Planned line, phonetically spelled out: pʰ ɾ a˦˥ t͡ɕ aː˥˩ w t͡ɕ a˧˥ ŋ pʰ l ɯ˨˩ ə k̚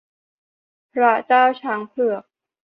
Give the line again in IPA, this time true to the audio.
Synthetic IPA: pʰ ɾ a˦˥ t͡ɕ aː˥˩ w t͡ɕʰ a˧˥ ŋ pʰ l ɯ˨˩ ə k̚